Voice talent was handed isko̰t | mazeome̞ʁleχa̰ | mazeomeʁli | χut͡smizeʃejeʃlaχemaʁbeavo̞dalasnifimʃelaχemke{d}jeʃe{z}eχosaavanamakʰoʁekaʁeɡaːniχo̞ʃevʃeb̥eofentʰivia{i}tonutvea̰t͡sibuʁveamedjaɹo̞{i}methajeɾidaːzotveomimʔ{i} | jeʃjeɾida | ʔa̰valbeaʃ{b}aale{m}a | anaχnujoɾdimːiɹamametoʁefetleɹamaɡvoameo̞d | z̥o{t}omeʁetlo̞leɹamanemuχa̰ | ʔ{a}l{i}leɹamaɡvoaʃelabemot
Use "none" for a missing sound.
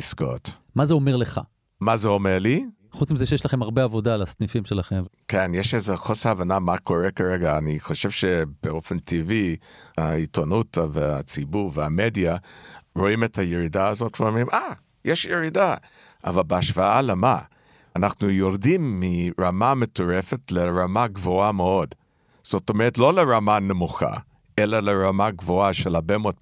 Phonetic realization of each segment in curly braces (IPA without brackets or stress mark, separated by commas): n, z, i, i, a, v, m, t, e, a